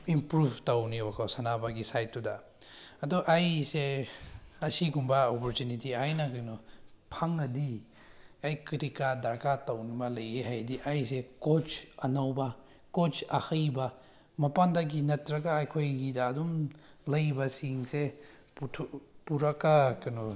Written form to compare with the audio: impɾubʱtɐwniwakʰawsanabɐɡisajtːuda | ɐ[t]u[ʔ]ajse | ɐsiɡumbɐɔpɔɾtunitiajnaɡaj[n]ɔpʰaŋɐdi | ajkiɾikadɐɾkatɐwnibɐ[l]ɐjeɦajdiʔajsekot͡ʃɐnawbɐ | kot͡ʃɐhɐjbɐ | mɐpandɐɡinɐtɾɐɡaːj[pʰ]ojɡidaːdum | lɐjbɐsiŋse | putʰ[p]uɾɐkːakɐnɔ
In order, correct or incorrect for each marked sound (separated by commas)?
incorrect, correct, correct, correct, incorrect, correct